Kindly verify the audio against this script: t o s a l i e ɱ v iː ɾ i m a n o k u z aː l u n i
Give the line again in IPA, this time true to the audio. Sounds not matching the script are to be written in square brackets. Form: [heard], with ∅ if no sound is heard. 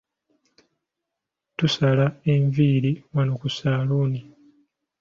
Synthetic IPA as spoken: t [u] s a l [a] e ɱ v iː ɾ i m a n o k u [s] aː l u n i